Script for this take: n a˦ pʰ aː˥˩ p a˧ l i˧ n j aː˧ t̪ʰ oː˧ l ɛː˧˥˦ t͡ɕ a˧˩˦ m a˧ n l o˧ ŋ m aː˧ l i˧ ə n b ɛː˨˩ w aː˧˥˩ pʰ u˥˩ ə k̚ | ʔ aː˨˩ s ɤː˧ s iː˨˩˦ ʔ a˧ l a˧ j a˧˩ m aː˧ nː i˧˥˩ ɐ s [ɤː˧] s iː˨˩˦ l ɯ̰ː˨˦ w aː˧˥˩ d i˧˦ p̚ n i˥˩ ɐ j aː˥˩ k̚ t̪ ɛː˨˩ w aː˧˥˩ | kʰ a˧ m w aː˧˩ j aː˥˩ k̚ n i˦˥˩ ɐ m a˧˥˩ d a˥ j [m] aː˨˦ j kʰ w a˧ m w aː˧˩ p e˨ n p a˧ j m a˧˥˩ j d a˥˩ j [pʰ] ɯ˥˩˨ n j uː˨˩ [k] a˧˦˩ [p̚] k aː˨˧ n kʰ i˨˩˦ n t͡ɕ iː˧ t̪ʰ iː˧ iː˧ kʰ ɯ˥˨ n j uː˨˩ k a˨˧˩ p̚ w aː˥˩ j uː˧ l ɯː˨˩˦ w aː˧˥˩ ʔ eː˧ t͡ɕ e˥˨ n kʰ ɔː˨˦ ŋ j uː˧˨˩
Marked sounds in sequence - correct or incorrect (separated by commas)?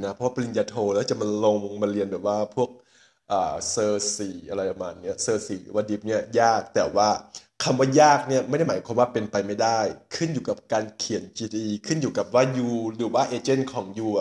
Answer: correct, correct, incorrect, correct, correct